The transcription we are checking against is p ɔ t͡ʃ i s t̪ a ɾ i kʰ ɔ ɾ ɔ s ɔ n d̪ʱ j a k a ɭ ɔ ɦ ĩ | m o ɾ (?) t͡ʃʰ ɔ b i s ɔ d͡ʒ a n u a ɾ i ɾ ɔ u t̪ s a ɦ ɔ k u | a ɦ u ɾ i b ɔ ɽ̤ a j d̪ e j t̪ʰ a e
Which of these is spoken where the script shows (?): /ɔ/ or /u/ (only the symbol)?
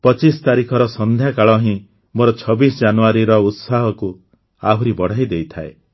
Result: ɔ